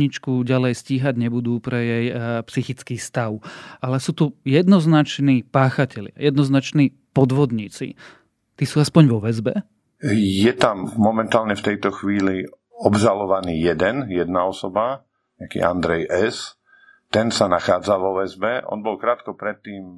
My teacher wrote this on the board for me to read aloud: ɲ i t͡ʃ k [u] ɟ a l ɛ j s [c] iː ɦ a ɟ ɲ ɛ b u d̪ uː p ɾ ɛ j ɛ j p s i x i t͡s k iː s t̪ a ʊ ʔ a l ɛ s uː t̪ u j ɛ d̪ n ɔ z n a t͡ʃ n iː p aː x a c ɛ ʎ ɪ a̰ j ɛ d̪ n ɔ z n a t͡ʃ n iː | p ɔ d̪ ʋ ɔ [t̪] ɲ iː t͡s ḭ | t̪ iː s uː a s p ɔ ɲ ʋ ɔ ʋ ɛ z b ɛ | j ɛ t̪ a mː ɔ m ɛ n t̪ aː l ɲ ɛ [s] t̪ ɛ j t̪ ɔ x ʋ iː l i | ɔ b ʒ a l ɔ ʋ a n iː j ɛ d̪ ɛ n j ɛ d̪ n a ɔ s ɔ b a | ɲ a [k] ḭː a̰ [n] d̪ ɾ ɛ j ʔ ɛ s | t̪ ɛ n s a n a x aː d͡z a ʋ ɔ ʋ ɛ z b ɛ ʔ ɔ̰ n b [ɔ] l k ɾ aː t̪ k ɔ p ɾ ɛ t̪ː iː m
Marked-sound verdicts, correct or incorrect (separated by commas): correct, correct, incorrect, incorrect, correct, correct, correct